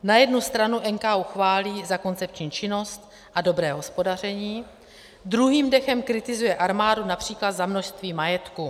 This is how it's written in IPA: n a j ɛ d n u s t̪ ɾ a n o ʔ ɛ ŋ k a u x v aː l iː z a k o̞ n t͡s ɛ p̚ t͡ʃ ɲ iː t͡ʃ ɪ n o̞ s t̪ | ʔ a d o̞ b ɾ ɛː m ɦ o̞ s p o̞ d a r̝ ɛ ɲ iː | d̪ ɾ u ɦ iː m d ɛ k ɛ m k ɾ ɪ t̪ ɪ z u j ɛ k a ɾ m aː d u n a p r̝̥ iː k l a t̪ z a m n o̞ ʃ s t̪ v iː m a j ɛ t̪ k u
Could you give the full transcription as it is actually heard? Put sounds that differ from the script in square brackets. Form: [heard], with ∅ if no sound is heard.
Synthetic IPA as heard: n a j ɛ d n u s t̪ ɾ a n [u] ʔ ɛ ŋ k a u x v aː l iː z a k o̞ n t͡s ɛ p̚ t͡ʃ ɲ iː t͡ʃ ɪ n o̞ s t̪ | ʔ a d o̞ b ɾ ɛː [∅] ɦ o̞ s p o̞ d a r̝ ɛ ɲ iː | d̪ ɾ u ɦ iː m d ɛ [x] ɛ m k ɾ ɪ t̪ ɪ z u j ɛ [ʔ] a ɾ m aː d u n a p r̝̥ iː k l a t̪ z a m n o̞ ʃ s t̪ v iː m a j ɛ t̪ k u